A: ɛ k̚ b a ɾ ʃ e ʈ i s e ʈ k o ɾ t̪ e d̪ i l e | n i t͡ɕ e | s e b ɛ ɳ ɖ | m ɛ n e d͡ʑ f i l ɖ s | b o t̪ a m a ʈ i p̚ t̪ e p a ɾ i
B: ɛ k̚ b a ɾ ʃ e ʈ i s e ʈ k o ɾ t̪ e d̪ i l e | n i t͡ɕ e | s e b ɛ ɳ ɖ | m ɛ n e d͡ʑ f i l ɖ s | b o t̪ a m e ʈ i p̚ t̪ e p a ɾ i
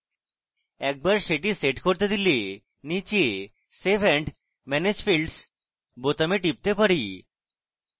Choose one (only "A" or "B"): B